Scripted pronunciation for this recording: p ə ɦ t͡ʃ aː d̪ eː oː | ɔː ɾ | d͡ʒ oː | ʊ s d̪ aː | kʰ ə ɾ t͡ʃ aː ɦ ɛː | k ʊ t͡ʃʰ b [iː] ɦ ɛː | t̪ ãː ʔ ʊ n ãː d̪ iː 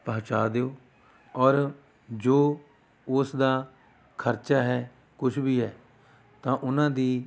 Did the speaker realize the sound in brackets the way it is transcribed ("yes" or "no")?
yes